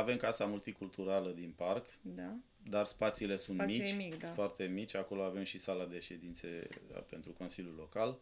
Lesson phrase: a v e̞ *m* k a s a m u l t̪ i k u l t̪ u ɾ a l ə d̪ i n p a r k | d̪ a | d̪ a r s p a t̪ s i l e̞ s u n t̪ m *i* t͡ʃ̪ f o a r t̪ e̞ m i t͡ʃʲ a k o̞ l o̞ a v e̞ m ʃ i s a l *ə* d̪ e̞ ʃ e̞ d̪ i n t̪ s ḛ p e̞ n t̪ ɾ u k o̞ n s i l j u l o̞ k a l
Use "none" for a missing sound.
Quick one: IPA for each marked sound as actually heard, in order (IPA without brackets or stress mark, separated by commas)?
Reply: m, i, a